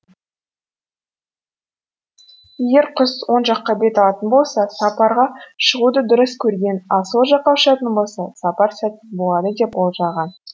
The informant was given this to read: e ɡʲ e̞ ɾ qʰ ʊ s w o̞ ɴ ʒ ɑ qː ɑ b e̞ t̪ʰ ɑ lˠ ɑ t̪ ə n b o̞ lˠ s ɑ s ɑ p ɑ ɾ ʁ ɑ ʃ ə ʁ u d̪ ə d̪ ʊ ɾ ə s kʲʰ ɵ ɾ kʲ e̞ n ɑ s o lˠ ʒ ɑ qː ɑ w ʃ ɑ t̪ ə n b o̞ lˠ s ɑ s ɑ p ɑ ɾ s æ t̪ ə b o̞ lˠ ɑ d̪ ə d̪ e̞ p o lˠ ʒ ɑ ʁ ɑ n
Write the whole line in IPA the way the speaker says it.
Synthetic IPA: e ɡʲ e̞ ɾ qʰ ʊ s w o̞ n ʒ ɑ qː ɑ b e̞ t̪ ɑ lˠ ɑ t̪ ə n b o̞ lˠ s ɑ s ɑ p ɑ ɾ ʁ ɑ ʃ ə ʁ u d̪ ə d̪ ʊ ɾ ə s kʲʰ ɵ ɾ ɡʲ e̞ n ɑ s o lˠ ʒ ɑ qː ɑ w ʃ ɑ t̪ ə n b o̞ lˠ s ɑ s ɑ p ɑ ɾ s æ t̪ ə b o̞ lˠ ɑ d̪ ə d̪ e̞ p o lˠ ʒ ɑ ʁ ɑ n